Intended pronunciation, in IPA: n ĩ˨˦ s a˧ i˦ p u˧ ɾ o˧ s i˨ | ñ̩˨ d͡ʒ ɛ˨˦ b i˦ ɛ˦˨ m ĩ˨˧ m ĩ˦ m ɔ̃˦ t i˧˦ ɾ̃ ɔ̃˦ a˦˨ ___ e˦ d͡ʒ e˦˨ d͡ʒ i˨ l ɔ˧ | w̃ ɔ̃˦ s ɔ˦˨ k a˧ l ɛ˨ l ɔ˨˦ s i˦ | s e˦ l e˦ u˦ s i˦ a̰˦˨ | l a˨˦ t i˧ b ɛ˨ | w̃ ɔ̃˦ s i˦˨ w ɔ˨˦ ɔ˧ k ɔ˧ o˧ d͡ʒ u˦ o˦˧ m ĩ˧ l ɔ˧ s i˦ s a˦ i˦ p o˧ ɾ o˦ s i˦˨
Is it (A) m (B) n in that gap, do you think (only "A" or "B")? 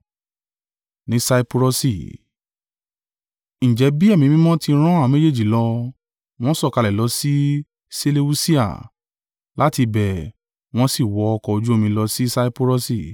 A